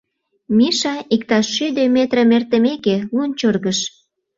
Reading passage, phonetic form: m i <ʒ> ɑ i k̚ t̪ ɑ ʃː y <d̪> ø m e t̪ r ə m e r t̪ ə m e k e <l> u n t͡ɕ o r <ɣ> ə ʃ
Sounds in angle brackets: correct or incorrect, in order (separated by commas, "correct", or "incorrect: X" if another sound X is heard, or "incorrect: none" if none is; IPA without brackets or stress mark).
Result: incorrect: ʃ, correct, correct, correct